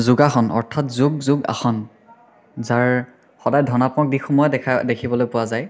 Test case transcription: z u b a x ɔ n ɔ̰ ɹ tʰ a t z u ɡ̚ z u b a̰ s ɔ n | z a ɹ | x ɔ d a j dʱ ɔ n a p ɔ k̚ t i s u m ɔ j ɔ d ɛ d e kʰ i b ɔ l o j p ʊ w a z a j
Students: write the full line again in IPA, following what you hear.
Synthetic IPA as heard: z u ɡ a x ɔ n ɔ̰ ɹ tʰ a t z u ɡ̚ z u ɡ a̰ x ɔ n | z a ɹ | x ɔ d a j dʱ ɔ n a p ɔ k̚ d i x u m ɔ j ɔ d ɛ d e kʰ i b ɔ l o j p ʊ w a z a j

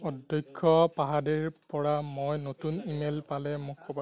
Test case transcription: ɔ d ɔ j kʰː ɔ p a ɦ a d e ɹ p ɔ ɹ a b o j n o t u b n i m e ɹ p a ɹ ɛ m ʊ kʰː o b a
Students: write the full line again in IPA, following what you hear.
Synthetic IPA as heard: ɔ d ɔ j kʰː ɔ p a ɦ a d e ɹ p ɔ ɹ a m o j n o t u n i m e l p a l ɛ m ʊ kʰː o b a

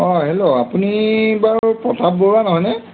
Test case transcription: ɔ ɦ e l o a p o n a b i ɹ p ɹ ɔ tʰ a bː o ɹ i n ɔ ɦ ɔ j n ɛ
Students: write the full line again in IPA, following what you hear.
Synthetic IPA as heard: ɔ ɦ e l o a p u n i b a ɹ p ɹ ɔ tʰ a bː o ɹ a n ɔ ɦ ɔ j n ɛ

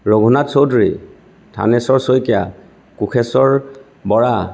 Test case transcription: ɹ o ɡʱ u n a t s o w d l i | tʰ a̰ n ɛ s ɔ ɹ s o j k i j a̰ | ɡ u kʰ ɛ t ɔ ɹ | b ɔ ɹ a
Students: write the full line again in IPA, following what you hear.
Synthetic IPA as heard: ɹ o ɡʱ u n a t s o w d ɹ i | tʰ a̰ n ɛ s ɔ ɹ s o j k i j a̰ | k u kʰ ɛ s ɔ ɹ | b ɔ ɹ a

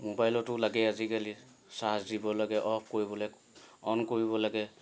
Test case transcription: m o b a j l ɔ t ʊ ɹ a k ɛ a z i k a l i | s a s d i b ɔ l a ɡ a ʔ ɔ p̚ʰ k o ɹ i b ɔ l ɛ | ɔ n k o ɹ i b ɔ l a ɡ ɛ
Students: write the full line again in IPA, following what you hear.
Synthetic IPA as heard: m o b a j l ɔ t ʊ l a ɡ ɛ a z i k a l i | s a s d i b ɔ l a ɡ ɛ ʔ ɔ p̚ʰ k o ɹ i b ɔ l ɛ | ɔ n k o ɹ i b ɔ l a ɡ ɛ

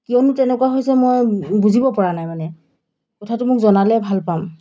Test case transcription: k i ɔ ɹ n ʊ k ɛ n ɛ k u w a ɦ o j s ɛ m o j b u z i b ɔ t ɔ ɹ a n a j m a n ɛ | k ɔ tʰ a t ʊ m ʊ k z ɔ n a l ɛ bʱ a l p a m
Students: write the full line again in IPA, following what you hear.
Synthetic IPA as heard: k i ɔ n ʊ t ɛ n ɛ k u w a ɦ o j s ɛ m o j b u z i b ɔ p ɔ ɹ a n a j m a n ɛ | k ɔ tʰ a t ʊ m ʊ k z ɔ n a l ɛ bʱ a l p a m

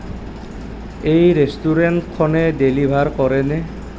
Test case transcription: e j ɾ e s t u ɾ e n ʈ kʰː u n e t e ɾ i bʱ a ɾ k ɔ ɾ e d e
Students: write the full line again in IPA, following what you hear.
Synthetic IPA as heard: e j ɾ e s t u ɾ e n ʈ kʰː ɔ n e d e l i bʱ a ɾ k ɔ ɾ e n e

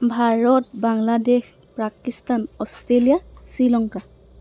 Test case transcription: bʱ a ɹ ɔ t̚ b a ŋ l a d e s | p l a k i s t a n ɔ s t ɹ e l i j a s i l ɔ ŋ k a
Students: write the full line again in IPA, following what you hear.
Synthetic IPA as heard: bʱ a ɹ ɔ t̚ b a ŋ l a d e x | p ɹ a k i s t a n ɔ s t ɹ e l i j a s i l ɔ ŋ k a

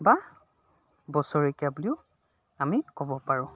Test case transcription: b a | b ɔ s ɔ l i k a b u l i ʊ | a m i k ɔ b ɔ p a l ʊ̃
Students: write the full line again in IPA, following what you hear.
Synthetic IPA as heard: b a | b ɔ s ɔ ɹ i k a b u l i ʊ | a m i k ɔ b ɔ p a ɹ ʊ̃

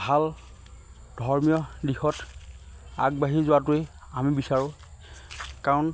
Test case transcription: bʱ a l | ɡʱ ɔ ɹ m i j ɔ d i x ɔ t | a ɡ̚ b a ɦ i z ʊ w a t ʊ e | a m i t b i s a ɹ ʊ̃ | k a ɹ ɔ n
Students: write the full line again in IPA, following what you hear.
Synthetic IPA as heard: bʱ a l | dʱ ɔ ɹ m i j ɔ d i x ɔ t | a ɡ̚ b a ɦ i z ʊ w a t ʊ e | a m i b i s a ɹ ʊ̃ | k a ɹ ɔ n

